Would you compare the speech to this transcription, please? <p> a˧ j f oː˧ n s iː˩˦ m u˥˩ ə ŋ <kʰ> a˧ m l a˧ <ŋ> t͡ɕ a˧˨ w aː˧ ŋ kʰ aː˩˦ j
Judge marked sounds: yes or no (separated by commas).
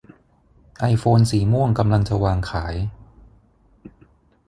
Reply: no, no, yes